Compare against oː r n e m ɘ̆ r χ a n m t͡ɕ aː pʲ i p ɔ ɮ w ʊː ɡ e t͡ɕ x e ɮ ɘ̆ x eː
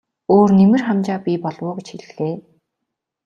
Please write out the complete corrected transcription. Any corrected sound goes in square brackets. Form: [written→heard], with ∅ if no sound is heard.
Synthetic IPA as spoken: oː r n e m ɘ̆ r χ a [n→∅] m t͡ɕ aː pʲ i p ɔ ɮ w ʊː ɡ e t͡ɕ x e ɮ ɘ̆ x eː